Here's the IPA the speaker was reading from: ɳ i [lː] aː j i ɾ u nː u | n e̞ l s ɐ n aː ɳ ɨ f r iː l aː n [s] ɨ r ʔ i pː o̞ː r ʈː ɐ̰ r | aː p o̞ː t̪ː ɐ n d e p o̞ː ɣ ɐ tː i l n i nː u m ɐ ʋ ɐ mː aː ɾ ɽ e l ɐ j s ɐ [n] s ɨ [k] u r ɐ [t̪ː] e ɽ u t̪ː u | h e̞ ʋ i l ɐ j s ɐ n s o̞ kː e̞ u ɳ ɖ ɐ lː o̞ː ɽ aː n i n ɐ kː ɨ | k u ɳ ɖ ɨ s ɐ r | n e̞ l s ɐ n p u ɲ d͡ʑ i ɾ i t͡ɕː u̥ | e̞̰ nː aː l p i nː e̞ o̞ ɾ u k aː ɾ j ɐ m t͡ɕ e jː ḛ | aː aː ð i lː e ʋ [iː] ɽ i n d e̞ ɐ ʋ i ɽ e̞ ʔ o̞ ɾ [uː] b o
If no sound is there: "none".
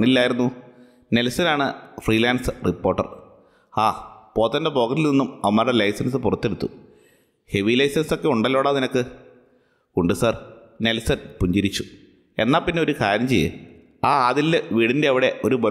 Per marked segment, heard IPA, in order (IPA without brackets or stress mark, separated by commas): lː, s, n, p, t̪ː, iː, u